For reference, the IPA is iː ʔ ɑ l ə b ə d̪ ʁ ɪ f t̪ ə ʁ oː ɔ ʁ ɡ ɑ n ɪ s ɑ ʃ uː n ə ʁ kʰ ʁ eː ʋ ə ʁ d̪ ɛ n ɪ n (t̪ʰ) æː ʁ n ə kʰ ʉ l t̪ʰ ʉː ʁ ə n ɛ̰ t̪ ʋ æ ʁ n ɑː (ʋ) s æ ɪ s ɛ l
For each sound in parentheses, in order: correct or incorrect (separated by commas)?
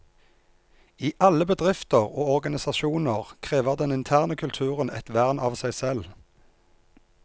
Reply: correct, correct